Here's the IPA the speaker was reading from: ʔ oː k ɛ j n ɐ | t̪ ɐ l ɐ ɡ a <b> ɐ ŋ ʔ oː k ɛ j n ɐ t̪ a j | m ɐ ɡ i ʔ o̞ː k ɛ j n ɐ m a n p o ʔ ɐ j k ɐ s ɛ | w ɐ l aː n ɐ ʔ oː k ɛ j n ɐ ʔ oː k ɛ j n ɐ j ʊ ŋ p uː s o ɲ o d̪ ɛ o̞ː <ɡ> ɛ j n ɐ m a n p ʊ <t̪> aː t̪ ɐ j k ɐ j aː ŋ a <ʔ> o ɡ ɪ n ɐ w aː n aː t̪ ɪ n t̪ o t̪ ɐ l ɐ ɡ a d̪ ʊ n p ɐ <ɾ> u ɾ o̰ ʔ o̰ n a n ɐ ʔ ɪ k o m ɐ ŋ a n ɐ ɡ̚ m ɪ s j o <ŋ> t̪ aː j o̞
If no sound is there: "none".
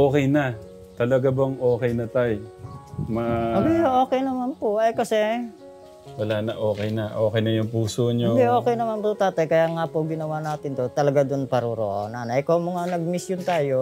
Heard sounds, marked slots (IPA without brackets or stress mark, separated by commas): b, k, t̪, p, ɾ, n